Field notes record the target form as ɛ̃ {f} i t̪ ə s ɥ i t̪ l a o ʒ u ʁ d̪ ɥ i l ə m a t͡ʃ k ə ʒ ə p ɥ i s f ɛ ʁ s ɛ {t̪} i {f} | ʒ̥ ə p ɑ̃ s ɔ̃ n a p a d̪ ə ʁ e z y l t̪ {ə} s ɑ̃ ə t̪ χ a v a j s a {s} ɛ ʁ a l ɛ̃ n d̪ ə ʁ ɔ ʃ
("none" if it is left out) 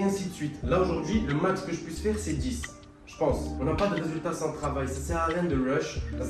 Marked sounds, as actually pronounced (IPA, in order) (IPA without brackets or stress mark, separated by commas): s, d̪, s, a, s